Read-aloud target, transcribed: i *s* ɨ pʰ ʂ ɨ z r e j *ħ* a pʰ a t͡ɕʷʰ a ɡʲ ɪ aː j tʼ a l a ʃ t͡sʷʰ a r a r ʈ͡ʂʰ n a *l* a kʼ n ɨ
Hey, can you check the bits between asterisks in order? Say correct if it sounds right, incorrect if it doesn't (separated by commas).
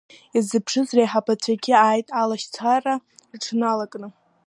incorrect, correct, correct